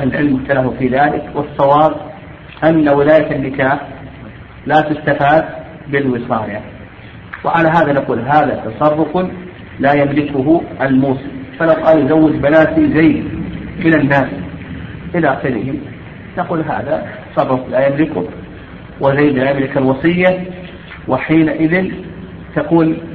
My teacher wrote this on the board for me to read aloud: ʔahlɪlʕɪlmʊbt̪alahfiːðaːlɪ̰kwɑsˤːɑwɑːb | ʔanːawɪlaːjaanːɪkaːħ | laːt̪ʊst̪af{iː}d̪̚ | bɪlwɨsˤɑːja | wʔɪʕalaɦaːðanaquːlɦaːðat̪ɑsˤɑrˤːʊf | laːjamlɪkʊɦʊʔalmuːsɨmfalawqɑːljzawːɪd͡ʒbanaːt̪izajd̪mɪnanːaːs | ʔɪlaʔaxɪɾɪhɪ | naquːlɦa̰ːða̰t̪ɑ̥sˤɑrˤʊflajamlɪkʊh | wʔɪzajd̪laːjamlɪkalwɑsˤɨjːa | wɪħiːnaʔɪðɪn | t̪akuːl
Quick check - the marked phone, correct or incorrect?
incorrect